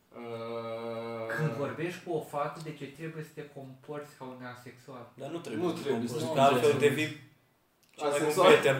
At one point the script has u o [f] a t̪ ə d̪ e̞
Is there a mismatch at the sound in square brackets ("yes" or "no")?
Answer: no